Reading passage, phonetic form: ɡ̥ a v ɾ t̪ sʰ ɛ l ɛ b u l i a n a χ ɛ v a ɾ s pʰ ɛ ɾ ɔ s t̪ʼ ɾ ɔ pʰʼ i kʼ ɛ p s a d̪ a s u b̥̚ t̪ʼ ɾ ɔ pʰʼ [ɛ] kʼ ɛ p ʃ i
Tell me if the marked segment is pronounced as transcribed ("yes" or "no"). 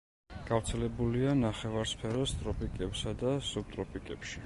no